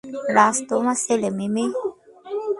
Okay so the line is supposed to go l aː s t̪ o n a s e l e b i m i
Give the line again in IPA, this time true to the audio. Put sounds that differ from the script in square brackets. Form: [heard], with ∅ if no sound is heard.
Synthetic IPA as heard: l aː s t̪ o [m] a s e l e [m] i m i